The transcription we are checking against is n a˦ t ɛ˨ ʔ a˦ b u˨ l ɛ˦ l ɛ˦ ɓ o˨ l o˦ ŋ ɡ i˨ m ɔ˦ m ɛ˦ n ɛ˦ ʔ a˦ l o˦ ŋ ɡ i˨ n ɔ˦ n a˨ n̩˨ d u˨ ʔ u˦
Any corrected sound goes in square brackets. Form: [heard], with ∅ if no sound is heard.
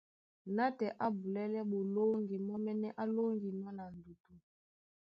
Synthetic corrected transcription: n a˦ t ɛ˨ ʔ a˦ b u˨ l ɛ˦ l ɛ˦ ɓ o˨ l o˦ ŋ ɡ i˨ m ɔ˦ m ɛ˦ n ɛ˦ ʔ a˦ l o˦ ŋ ɡ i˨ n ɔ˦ n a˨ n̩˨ d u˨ [t] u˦